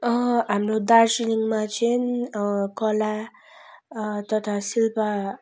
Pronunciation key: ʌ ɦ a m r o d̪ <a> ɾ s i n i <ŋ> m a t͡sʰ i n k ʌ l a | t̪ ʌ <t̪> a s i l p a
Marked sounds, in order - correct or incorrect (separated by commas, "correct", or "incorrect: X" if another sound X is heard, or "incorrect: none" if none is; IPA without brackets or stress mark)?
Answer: correct, correct, incorrect: t̪ʰ